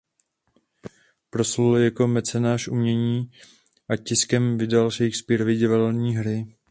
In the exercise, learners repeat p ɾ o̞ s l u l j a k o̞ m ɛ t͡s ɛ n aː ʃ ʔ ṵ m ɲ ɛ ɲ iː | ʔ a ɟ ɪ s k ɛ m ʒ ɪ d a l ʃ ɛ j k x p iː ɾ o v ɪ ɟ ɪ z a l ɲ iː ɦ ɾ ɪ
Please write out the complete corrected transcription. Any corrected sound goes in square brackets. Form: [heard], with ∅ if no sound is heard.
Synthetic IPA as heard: p ɾ o̞ s l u l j a k o̞ m ɛ t͡s ɛ n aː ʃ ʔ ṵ m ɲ ɛ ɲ iː | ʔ a [c] ɪ s k ɛ m [v] ɪ d a l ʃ ɛ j k [s] p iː ɾ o v ɪ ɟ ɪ [v] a l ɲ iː ɦ ɾ ɪ